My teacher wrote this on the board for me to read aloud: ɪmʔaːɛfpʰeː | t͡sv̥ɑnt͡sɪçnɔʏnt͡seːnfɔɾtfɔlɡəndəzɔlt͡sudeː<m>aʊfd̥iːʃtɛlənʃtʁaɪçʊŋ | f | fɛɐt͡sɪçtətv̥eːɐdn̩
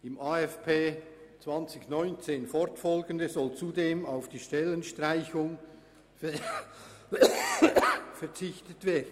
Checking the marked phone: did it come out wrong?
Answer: no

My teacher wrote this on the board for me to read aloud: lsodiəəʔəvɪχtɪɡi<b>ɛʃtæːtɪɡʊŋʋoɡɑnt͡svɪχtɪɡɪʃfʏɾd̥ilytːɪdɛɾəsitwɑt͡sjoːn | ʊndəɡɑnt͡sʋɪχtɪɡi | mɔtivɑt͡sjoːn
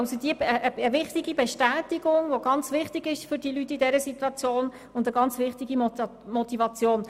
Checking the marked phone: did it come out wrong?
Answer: no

